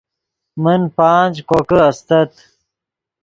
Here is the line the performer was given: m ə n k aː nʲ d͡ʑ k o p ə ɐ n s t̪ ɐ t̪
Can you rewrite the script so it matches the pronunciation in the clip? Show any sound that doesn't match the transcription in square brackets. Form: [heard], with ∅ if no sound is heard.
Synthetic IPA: m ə n [p] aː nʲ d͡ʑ k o [k] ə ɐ [∅] s t̪ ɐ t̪